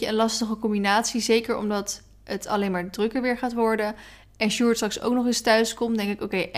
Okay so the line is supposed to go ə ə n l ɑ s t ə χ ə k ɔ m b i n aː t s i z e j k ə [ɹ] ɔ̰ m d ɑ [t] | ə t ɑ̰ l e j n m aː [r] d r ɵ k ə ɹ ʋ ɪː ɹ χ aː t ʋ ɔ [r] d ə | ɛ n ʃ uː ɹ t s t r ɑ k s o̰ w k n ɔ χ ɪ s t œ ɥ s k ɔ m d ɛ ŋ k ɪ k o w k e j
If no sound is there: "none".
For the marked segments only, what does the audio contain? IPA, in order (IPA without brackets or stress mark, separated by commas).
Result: ɹ, t, ɹ, ɹ